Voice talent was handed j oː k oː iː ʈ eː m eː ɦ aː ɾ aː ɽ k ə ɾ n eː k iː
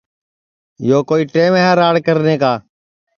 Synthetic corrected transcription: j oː k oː iː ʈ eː m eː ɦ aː ɾ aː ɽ k ə ɾ n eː k aː